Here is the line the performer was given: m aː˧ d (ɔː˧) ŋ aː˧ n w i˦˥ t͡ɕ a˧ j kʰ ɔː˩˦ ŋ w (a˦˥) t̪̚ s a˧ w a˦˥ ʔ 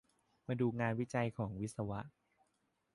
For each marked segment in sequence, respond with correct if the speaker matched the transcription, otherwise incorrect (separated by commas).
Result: incorrect, incorrect